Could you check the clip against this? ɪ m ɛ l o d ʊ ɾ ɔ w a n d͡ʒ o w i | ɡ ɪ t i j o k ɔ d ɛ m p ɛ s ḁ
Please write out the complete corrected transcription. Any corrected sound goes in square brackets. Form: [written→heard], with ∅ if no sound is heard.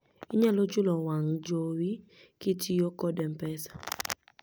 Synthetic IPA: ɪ [m→ɲ] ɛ l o [d→d͡ʒ] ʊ [ɾ→l] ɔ w a [n→ŋ] d͡ʒ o w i | [ɡ→k] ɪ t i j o k ɔ d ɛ m p ɛ s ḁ